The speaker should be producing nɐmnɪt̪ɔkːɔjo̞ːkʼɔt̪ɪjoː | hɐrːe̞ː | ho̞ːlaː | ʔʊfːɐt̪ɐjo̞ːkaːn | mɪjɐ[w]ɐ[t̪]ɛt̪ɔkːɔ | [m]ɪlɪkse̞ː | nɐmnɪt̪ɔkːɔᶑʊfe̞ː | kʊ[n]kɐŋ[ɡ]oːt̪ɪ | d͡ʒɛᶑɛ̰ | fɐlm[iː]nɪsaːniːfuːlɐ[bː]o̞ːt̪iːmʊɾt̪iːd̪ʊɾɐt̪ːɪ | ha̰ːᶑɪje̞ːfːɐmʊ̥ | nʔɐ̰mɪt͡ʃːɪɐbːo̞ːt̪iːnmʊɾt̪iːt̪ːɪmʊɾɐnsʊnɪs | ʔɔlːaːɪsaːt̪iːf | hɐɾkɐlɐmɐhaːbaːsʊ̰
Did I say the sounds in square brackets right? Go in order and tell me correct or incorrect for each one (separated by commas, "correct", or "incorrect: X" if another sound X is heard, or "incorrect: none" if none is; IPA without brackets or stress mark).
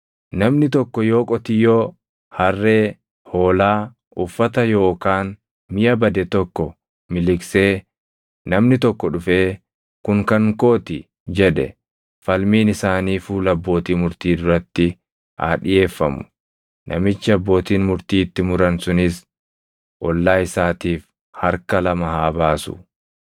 incorrect: b, incorrect: d̪, correct, incorrect: ŋ, incorrect: k, correct, correct